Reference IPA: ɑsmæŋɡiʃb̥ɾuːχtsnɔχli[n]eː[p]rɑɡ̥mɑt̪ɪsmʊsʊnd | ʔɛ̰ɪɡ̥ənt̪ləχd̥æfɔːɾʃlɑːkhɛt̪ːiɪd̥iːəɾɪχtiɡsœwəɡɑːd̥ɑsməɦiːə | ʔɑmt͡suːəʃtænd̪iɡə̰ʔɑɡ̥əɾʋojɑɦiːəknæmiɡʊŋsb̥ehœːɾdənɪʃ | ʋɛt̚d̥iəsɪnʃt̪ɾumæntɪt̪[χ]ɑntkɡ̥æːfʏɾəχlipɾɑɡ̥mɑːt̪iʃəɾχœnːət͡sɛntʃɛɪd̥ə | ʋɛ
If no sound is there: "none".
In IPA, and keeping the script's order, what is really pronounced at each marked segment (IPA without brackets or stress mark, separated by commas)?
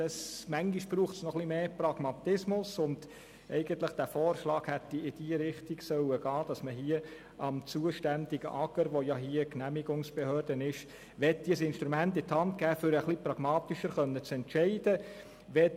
m, p, h